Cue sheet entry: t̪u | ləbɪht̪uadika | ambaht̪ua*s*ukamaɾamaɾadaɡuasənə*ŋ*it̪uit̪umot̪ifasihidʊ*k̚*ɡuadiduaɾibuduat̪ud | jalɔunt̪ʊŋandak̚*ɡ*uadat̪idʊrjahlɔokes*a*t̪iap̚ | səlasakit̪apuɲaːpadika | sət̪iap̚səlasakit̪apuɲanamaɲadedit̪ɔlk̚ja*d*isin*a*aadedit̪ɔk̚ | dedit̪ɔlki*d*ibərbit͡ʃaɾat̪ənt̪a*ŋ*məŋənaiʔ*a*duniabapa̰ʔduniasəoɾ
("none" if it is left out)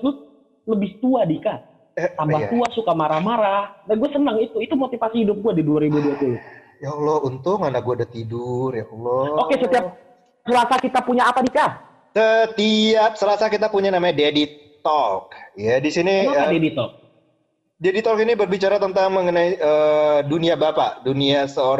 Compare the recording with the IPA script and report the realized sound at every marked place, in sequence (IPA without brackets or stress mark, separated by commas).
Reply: s, ŋ, p̚, ɡ, ə, d, i, n, ŋ, ə